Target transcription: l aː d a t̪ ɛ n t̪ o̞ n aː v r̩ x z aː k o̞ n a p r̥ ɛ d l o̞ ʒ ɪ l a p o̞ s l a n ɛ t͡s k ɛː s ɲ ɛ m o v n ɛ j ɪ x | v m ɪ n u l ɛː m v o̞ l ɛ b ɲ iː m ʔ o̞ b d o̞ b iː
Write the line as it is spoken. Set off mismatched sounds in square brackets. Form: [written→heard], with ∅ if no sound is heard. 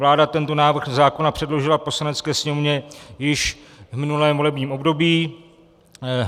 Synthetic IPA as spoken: l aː d a t̪ ɛ n t̪ o̞ n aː v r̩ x z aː k o̞ n a p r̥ ɛ d l o̞ ʒ ɪ l a p o̞ s l a n ɛ t͡s k ɛː s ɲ ɛ m o v [n→ɲ] ɛ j ɪ [x→ʃ] | v m ɪ n u l ɛː m v o̞ l ɛ b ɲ iː m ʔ o̞ b d o̞ b iː